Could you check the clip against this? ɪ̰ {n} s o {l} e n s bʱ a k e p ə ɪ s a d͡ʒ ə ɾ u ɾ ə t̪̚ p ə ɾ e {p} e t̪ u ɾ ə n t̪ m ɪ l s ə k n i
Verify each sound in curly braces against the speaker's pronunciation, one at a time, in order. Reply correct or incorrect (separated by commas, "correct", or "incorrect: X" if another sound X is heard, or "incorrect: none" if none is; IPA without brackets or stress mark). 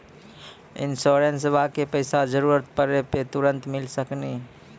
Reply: correct, incorrect: ɾ, correct